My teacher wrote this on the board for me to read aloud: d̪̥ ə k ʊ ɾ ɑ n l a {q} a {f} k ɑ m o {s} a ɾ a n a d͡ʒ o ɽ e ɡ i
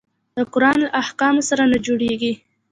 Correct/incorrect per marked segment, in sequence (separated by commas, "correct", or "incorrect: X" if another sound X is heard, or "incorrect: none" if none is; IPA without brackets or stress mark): incorrect: ʔ, incorrect: h, correct